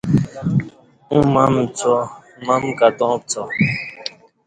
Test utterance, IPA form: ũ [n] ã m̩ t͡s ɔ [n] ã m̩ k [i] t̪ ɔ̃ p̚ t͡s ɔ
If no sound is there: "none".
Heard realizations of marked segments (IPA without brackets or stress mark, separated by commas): m, m, a